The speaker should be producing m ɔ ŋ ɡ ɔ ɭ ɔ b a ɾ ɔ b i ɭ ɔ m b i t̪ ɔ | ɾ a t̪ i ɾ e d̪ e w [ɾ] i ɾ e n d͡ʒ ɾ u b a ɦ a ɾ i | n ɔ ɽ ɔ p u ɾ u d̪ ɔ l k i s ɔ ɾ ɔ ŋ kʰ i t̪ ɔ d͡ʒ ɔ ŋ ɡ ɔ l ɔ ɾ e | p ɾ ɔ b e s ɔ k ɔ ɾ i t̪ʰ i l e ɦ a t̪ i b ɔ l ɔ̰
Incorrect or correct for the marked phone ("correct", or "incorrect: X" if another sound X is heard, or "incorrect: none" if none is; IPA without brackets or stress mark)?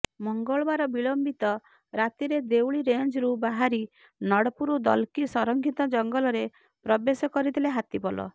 incorrect: ɭ